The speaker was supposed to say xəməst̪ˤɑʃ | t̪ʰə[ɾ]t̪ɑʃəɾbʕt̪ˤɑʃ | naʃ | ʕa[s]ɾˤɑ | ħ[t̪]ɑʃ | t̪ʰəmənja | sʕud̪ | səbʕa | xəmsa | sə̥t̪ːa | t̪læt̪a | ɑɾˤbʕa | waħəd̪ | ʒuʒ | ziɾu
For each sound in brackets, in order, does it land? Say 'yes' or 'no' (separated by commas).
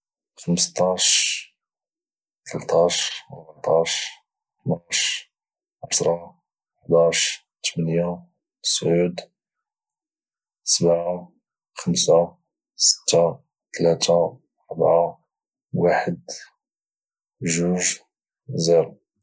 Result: no, yes, no